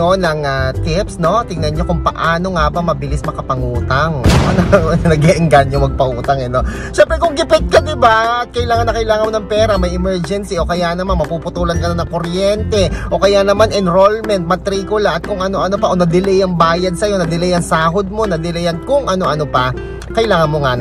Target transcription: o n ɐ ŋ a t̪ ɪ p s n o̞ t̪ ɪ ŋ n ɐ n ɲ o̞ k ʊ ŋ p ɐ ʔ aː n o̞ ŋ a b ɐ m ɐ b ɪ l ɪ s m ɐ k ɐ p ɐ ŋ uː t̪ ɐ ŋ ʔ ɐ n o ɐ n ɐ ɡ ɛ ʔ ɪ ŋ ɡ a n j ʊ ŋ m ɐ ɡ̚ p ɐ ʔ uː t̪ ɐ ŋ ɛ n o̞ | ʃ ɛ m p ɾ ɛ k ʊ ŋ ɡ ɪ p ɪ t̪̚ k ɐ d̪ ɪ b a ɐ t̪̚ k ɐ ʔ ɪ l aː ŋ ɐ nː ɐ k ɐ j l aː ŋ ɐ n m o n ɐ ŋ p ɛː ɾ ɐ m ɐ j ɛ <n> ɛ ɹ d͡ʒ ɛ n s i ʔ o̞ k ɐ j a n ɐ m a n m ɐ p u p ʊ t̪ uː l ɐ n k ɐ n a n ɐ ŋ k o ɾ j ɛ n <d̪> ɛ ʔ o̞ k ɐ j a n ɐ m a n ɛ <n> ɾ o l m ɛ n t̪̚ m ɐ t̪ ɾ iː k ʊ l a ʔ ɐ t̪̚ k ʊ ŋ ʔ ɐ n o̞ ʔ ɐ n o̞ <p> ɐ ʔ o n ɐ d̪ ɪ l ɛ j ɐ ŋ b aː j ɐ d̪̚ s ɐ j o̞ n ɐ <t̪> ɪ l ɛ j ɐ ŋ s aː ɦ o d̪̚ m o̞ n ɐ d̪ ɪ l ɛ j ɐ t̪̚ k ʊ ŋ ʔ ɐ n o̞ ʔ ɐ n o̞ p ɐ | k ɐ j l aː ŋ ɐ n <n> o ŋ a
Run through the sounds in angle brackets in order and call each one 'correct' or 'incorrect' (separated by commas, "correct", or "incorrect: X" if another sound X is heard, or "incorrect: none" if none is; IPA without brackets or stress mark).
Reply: incorrect: m, incorrect: t̪, correct, correct, incorrect: d̪, incorrect: m